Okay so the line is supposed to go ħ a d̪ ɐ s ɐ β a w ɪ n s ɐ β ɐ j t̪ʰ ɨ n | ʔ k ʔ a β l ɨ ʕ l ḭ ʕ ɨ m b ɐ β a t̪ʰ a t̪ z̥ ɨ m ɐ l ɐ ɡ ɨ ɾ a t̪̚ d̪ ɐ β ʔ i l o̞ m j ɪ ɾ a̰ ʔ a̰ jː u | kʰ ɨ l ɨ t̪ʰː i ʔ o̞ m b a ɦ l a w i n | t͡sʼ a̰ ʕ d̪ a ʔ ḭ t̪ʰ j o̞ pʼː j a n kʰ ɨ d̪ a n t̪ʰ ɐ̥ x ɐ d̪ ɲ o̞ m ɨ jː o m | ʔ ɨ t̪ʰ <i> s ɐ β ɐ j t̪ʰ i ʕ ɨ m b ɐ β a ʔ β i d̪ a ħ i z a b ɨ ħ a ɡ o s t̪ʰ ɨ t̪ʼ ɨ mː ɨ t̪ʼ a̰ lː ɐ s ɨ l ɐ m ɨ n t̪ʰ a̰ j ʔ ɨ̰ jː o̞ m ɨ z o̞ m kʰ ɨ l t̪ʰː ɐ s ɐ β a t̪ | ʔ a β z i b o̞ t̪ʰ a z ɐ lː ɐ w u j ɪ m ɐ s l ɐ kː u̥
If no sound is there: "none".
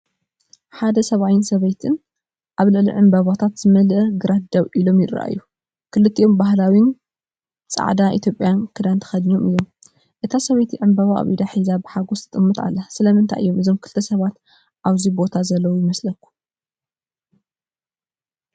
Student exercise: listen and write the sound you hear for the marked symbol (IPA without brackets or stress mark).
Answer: a